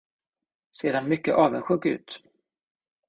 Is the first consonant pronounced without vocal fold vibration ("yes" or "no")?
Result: yes